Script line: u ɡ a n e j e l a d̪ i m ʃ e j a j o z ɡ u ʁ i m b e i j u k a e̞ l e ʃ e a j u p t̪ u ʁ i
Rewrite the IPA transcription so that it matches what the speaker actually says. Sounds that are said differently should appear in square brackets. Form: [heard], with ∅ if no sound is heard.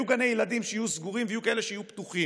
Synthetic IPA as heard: u ɡ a n e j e l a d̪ i m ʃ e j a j [u] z ɡ u ʁ i m [v] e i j u k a e̞ l e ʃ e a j u p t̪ u [χ] i